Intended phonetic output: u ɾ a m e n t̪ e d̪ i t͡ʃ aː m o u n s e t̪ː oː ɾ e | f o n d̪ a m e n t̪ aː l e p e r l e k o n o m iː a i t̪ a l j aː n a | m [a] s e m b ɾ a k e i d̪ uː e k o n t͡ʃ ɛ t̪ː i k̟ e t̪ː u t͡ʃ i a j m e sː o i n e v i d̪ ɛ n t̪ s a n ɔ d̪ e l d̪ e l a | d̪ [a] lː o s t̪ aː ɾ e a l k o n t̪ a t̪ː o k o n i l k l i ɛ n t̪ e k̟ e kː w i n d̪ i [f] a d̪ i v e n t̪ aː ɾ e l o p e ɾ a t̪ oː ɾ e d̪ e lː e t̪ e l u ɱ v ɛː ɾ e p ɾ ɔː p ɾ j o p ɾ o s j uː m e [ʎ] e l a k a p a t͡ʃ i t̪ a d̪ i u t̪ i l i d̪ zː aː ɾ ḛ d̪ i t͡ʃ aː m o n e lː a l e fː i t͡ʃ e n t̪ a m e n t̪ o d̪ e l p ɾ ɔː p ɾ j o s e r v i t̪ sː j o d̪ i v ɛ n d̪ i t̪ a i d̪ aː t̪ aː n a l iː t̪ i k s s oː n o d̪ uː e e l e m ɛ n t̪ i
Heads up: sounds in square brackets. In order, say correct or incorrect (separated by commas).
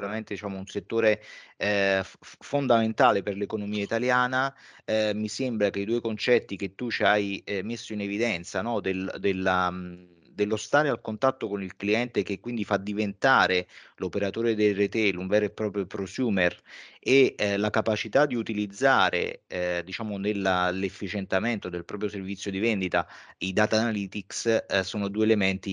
incorrect, incorrect, correct, incorrect